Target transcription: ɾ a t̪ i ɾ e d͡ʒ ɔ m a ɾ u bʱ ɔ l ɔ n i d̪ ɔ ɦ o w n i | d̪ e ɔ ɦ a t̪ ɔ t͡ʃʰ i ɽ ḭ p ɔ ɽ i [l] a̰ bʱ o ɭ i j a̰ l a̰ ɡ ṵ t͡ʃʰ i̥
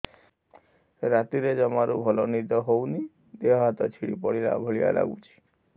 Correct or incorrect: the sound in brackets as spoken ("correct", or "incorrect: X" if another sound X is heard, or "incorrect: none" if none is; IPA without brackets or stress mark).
correct